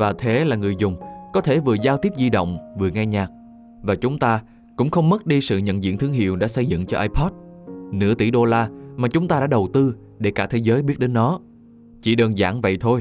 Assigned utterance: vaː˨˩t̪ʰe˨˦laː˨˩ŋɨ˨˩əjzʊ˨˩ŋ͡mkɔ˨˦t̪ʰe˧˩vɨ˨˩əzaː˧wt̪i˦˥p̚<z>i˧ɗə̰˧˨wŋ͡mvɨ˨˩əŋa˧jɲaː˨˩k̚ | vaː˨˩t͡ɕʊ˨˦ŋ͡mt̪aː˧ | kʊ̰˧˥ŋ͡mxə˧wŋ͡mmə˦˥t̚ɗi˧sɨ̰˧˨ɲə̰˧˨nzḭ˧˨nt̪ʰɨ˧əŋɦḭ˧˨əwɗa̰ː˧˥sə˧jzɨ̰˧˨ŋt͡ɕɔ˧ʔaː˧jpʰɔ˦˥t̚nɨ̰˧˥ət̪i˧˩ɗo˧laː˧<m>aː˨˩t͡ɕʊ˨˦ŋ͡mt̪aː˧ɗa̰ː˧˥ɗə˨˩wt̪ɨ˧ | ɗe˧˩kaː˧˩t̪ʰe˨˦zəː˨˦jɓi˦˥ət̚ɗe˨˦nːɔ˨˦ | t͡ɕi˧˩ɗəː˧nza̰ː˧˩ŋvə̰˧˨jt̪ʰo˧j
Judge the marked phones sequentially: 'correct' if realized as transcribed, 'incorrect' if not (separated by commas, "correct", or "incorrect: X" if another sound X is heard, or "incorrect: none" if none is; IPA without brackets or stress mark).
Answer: correct, correct